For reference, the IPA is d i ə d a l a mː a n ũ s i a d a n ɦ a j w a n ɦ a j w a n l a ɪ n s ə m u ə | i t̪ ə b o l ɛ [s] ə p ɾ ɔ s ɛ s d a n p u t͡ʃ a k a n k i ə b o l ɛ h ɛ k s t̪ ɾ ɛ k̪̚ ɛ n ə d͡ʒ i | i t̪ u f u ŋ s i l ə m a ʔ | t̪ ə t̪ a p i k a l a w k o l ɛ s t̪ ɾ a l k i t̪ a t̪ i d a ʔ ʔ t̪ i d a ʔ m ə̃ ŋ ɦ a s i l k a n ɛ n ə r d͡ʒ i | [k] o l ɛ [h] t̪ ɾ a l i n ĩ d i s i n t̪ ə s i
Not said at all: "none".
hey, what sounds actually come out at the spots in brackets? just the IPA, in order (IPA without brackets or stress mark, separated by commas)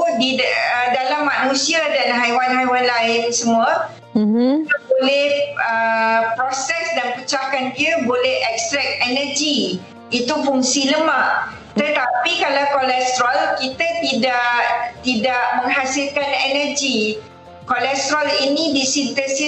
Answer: h, k, s